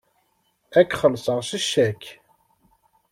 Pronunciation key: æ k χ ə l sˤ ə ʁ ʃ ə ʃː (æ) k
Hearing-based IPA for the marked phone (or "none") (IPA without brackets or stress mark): æ